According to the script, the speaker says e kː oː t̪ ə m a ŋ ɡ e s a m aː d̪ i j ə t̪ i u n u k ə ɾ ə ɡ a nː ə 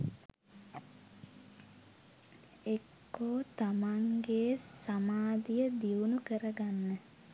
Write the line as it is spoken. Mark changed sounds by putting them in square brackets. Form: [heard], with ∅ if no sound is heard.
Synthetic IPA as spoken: e kː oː t̪ [a] m a ŋ ɡ e s a m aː d̪ i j ə [d̪] i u n u k ə ɾ ə ɡ a nː ə